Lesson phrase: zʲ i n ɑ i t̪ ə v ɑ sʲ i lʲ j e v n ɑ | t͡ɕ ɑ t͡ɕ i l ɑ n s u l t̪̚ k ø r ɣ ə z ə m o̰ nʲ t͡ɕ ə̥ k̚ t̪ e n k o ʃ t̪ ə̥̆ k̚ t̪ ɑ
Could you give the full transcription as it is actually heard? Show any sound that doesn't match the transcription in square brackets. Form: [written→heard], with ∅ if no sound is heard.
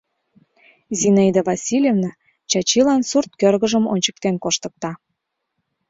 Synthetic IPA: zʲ i n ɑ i [t̪→d̪] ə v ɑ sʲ i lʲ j e v n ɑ | t͡ɕ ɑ t͡ɕ i l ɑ n s u [l→r] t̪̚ k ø r ɣ ə [z→ʒ] ə m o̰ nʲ t͡ɕ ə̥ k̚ t̪ e n k o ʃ t̪ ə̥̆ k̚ t̪ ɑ